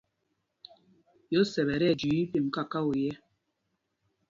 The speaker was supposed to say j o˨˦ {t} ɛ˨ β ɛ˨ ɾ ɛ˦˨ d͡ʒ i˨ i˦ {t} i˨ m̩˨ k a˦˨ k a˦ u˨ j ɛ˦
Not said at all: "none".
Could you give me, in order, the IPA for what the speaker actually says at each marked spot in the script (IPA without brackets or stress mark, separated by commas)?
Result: s, p